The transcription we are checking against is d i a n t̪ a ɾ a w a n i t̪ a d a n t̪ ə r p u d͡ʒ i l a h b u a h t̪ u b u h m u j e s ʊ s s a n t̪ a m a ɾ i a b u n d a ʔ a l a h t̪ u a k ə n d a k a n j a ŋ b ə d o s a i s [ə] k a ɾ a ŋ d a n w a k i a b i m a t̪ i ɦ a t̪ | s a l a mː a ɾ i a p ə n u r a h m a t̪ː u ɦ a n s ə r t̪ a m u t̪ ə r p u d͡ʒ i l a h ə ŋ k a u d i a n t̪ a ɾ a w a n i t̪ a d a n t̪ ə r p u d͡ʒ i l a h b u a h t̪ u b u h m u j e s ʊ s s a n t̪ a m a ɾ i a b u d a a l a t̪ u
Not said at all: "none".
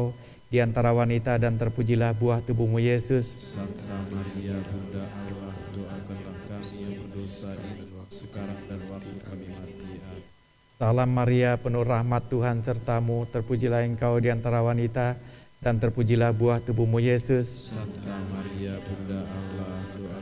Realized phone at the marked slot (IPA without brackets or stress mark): ə